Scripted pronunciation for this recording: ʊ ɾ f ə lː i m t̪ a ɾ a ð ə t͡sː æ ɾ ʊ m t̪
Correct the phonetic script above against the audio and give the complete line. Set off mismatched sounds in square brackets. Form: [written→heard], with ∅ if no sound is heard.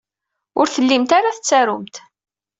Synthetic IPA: ʊ ɾ [f→θ] ə lː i m t̪ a ɾ a [ð→θ] ə t͡sː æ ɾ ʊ m t̪